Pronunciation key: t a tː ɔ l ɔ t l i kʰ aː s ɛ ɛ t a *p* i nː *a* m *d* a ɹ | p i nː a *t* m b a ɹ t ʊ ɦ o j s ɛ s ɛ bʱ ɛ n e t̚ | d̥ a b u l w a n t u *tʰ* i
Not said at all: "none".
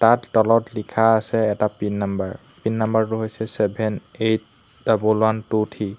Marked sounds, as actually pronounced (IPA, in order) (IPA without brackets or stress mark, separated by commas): p, a, b, none, tʰ